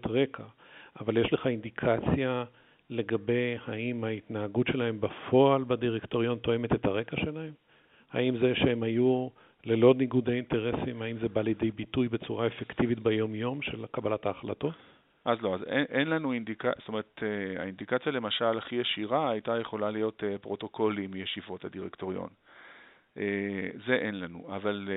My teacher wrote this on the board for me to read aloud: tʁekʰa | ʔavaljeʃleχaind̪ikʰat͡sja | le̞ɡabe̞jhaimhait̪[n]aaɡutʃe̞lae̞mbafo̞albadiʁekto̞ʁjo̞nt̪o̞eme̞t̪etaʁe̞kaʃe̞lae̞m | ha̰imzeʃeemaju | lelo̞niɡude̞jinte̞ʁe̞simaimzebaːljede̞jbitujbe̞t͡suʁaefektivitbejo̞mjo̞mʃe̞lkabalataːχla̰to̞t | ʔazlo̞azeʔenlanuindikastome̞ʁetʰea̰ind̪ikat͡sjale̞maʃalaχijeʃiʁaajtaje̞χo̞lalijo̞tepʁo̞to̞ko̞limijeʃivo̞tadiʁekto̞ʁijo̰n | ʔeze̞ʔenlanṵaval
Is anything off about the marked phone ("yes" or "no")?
no